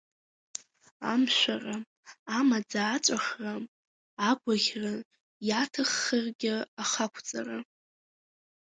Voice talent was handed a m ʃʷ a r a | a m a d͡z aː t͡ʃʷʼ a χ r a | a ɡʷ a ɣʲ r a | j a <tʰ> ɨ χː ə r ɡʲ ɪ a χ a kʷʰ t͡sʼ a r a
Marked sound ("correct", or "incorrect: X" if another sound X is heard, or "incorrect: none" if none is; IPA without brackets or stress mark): correct